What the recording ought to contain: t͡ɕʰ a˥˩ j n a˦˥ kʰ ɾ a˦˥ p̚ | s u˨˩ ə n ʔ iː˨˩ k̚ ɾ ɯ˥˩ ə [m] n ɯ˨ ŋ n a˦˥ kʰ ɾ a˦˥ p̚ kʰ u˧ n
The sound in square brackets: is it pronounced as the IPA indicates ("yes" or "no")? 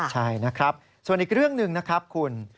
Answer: no